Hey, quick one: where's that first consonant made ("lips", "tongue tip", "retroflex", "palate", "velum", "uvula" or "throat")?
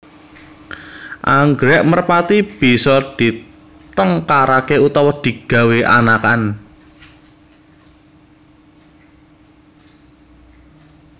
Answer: throat